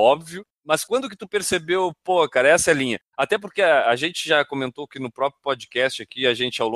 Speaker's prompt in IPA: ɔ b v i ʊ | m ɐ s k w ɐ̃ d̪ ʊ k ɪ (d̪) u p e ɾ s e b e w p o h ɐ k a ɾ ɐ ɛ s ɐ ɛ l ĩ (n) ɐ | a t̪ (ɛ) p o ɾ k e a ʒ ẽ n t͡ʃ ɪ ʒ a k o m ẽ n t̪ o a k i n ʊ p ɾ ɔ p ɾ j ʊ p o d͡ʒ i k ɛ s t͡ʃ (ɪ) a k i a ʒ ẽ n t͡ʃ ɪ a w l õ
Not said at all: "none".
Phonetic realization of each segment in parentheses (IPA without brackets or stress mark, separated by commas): t̪, ɲ, ɛ, ɪ